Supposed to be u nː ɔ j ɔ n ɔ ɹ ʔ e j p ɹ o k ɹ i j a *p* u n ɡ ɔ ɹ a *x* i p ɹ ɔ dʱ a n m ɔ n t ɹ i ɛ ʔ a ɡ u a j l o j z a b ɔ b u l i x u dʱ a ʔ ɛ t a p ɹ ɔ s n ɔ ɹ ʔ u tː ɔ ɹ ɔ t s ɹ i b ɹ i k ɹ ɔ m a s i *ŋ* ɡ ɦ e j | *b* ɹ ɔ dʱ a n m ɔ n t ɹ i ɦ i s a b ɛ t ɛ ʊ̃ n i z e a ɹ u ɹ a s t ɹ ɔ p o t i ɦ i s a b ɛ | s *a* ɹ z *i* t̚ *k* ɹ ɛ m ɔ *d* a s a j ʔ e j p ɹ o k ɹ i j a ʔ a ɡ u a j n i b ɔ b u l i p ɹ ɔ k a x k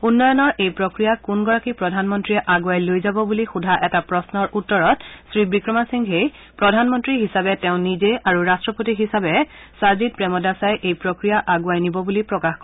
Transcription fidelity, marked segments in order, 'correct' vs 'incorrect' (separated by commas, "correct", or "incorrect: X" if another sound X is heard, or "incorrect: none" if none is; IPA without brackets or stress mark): incorrect: k, incorrect: k, correct, incorrect: p, correct, correct, incorrect: p, correct